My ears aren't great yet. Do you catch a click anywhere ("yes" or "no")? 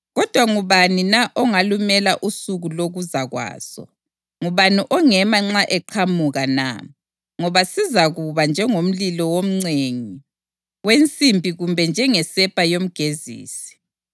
yes